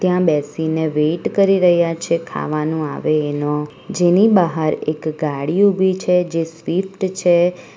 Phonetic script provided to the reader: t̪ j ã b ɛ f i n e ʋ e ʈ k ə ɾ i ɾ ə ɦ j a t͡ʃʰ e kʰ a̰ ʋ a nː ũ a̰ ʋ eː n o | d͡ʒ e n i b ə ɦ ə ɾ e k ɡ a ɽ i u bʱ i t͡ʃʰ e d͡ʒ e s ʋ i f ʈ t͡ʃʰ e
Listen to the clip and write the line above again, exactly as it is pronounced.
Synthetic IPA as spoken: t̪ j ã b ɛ s i n e ʋ e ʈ k ə ɾ i ɾ ə ɦ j a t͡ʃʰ e kʰ a̰ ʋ a n ũ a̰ ʋ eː n o | d͡ʒ e n i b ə ɦ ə ɾ e k ɡ a ɽ i u bʱ i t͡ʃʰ e d͡ʒ e s ʋ i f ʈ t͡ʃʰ e